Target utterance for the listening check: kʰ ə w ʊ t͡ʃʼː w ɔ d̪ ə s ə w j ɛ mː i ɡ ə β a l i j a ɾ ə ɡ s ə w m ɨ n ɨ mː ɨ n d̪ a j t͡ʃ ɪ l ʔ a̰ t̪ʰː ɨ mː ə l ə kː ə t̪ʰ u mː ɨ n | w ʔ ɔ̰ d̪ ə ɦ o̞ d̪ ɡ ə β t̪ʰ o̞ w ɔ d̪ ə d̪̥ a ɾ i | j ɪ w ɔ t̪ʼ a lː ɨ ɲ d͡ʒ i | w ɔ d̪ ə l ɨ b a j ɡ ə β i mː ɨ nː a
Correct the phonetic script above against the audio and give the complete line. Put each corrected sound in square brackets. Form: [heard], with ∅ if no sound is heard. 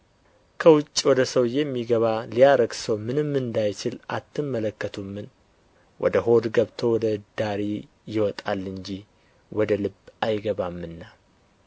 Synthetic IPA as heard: kʰ ə w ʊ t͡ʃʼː w ɔ d̪ ə s ə w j ɛ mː i ɡ ə β a l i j a ɾ ə ɡ s ə w m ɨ n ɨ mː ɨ n d̪ a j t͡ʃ ɪ l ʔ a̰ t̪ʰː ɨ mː ə l ə kː ə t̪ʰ u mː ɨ n | w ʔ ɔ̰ d̪ ə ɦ o̞ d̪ ɡ ə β t̪ʰ o̞ w ɔ d̪ ə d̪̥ a ɾ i | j ɪ w ɔ t̪ʼ a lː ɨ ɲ d͡ʒ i | w ɔ d̪ ə l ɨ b a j ɡ ə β [a] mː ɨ nː a

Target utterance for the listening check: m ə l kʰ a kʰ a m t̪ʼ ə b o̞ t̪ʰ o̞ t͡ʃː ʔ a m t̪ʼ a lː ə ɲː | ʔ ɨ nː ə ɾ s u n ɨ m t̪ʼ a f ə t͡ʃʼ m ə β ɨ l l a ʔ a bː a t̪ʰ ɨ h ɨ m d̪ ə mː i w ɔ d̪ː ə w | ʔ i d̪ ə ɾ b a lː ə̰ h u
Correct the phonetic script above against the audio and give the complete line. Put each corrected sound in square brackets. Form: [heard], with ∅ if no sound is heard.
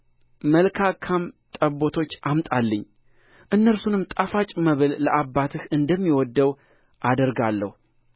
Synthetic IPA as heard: m ə l kʰ a kʰ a m t̪ʼ ə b o̞ t̪ʰ o̞ t͡ʃː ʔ a m t̪ʼ a lː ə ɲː | ʔ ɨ nː ə ɾ s u n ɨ m t̪ʼ a f [a] t͡ʃʼ m ə β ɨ l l [ə] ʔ a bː a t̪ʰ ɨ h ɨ [n] d̪ ə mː i w ɔ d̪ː ə w | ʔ [a] d̪ ə ɾ [ɡ] a lː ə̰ h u

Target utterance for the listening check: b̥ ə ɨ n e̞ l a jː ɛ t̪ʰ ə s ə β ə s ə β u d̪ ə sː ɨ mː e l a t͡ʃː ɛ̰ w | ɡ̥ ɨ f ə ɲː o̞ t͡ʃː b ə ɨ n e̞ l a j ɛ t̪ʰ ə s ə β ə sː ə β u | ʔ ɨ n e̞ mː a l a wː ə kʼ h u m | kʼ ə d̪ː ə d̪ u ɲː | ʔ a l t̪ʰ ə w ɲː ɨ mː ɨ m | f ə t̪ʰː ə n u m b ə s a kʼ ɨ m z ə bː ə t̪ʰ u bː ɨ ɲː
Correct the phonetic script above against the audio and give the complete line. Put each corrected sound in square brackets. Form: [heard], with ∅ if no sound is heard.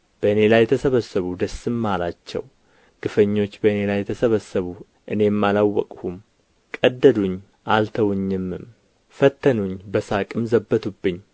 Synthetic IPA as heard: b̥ ə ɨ n e̞ l a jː ɛ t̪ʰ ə s ə β ə s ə β u d̪ ə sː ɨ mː [a] l a t͡ʃː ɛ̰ w | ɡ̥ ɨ f ə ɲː o̞ t͡ʃː b ə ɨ n e̞ l a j ɛ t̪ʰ ə s ə β ə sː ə β u | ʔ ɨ n e̞ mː a l a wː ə kʼ h u m | kʼ ə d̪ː ə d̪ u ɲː | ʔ a l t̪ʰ ə w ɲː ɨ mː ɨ m | f ə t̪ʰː ə n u [ɲ] b ə s a kʼ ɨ m z ə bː ə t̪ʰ u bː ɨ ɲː

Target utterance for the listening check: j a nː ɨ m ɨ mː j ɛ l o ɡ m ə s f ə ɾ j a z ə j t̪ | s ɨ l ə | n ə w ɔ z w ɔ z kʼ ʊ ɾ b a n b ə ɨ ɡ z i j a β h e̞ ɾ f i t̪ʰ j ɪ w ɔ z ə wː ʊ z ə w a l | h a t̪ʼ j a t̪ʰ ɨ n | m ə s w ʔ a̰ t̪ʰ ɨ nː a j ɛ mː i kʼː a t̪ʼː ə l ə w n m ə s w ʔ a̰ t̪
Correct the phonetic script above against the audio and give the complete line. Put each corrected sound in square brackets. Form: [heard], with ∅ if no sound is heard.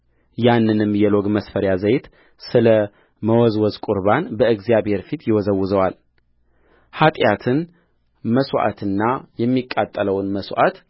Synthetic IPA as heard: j a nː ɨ [n] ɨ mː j ɛ l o ɡ m ə s f ə ɾ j a z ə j t̪ | s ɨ l ə | [m] ə w ɔ z w ɔ z kʼ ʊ ɾ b a n b ə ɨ ɡ z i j a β h e̞ ɾ f i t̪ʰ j ɪ w ɔ z ə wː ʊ z ə w a l | h a t̪ʼ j a t̪ʰ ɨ n | m ə s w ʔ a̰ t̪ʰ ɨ nː a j ɛ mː i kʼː a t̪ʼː ə l ə w n m ə s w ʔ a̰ t̪

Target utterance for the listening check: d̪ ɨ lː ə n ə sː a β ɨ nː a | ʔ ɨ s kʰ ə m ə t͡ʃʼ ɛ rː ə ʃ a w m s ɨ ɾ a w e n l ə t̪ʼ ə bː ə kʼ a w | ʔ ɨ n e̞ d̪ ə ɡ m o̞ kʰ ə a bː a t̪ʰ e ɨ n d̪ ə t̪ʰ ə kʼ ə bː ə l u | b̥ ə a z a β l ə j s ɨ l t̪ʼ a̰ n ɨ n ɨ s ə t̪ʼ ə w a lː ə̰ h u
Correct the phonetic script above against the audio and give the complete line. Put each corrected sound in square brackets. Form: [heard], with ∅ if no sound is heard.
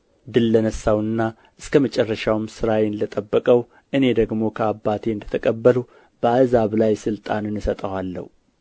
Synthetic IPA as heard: d̪ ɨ lː ə n ə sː a [w] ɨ nː a | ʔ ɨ s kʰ ə m ə t͡ʃʼ ɛ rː ə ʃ a w m s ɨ ɾ a w e n l ə t̪ʼ ə bː ə kʼ [ə] w | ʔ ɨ n e̞ d̪ ə ɡ m o̞ kʰ ə a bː a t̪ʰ e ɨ n d̪ ə t̪ʰ ə kʼ ə bː ə l u | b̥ ə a z a β l [a] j s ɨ l t̪ʼ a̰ n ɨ n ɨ s ə t̪ʼ ə w a lː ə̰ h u

